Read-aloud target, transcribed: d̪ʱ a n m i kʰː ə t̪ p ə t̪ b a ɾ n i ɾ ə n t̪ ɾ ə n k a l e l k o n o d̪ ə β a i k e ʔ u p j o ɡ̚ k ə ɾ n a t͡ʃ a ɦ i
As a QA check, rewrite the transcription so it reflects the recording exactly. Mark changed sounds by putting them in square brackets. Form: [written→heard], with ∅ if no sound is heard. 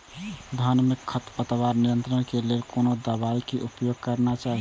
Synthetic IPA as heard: d̪ʱ a n m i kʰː ə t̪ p ə t̪ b a ɾ n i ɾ ə n t̪ ɾ ə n k [a→e] l e l k o n o d̪ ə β a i k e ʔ u p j o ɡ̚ k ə ɾ n a t͡ʃ a ɦ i